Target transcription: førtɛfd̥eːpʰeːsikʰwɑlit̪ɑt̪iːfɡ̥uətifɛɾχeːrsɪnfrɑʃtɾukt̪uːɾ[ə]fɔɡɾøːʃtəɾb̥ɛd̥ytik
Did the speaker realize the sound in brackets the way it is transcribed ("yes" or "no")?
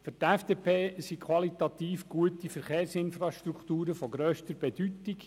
yes